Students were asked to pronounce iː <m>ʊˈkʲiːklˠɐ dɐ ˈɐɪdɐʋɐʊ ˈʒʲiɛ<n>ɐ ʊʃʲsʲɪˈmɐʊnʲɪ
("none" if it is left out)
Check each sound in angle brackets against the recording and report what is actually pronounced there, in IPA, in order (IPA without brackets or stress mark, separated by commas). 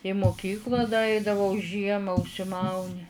m, m